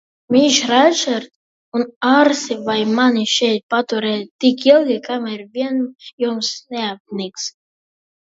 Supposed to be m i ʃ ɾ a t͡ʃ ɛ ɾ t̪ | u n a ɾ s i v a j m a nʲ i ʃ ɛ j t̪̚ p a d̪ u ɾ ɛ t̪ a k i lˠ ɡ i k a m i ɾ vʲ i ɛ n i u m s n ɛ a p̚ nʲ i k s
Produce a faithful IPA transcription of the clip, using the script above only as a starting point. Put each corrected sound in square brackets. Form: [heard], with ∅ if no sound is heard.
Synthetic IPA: m i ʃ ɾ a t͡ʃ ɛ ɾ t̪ | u n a ɾ s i v a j m a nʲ i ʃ ɛ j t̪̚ p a [t̪] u ɾ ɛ t̪ [i] k i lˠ ɡ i k a m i ɾ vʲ i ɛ n [j] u m s n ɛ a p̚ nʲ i k s